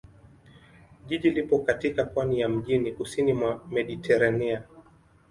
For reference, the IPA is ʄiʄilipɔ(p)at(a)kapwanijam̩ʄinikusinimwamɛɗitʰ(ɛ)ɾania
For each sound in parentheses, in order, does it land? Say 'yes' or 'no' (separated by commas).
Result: no, no, yes